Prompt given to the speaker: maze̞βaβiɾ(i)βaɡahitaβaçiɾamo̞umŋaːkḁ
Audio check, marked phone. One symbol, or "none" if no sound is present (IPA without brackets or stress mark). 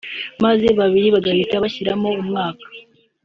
i